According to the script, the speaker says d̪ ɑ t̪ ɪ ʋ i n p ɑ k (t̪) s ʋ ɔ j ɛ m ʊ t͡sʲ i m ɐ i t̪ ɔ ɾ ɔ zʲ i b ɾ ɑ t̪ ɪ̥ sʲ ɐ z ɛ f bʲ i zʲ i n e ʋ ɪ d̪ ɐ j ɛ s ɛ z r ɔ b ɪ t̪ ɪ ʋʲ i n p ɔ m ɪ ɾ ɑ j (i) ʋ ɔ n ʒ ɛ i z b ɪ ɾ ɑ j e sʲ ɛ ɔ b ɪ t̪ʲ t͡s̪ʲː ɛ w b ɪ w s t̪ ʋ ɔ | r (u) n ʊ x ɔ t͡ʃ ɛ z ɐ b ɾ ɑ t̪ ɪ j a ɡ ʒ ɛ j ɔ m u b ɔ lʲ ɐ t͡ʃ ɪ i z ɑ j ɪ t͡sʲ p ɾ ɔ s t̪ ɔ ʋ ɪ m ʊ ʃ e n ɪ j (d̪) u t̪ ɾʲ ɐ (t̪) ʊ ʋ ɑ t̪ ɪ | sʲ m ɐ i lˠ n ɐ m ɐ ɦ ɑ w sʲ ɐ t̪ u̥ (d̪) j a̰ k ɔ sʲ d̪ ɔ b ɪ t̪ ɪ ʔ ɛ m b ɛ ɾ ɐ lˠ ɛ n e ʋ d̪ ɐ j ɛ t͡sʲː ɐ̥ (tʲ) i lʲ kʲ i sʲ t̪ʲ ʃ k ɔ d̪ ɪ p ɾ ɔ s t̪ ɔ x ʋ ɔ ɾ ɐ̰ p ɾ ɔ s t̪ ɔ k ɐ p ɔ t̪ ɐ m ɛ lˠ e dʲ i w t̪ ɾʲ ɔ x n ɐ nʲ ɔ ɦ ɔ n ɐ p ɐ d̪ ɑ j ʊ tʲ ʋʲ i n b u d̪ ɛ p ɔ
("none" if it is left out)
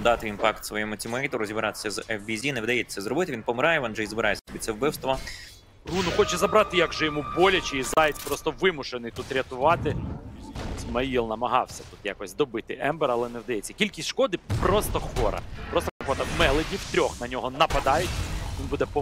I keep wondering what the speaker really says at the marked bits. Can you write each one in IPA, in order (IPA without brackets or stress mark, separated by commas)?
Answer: t̪, ɛ, u, t̪, t̪, t̪, kʲ